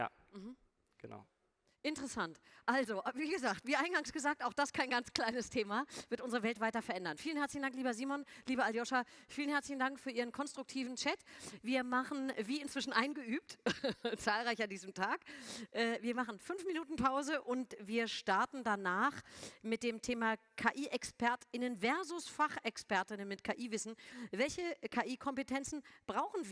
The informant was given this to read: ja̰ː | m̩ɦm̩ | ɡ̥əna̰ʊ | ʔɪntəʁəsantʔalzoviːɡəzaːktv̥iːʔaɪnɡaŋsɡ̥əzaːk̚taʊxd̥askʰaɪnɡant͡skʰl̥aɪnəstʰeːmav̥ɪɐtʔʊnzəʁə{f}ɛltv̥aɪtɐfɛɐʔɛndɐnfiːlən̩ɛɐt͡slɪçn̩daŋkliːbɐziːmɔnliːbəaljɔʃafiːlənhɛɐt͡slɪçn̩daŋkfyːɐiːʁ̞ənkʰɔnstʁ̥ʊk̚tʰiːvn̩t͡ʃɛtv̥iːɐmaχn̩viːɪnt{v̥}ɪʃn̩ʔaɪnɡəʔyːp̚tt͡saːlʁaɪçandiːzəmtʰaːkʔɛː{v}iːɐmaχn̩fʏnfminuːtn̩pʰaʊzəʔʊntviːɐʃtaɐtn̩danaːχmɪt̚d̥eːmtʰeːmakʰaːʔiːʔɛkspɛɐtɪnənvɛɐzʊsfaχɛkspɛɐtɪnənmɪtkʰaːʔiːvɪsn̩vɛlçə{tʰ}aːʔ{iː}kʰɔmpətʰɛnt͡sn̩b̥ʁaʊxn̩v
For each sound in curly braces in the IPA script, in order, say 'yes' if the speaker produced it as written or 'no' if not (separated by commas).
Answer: no, yes, yes, no, yes